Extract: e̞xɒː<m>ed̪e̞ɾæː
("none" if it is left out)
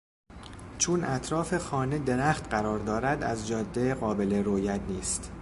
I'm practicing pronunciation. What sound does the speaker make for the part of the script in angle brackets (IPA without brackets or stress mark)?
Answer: n